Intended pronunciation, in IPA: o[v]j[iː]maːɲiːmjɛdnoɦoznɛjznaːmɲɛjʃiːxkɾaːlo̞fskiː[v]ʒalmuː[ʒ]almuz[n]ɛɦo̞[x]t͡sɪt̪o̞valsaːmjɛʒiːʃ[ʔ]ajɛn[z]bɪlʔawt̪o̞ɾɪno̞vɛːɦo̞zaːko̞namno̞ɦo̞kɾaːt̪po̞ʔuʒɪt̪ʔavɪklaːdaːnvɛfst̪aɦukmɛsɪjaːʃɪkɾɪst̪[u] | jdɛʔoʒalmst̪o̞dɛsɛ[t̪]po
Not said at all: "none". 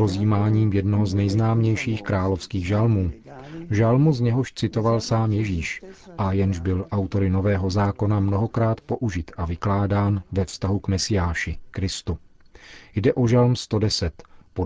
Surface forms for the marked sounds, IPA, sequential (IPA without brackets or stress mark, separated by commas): z, iː, ɣ, ʒ, ɲ, ʃ, ʔ, ʒ, u, t̪